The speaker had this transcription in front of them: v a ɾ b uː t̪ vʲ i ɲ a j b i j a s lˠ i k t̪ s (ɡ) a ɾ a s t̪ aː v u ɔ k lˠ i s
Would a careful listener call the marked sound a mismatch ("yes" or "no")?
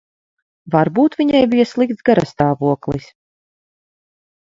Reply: no